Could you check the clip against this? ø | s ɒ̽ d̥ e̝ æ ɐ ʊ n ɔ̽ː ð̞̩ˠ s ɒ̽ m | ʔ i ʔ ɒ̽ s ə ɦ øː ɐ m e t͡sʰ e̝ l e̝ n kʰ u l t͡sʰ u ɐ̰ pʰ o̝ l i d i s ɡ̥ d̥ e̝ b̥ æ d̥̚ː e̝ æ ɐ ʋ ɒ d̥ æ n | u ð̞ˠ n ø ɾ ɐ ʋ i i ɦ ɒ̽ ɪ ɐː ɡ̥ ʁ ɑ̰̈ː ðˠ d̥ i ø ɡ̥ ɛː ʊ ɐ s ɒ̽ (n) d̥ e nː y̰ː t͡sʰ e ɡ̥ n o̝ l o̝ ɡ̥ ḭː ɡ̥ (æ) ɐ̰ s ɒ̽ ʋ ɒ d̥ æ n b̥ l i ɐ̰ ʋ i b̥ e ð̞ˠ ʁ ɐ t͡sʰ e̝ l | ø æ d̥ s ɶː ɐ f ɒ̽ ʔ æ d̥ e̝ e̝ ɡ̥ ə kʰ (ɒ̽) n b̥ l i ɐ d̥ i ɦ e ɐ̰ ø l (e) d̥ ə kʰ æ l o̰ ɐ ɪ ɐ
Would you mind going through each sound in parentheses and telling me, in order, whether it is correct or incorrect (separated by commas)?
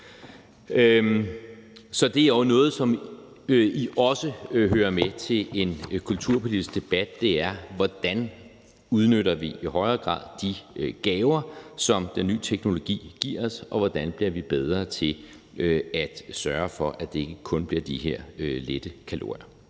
incorrect, incorrect, incorrect, correct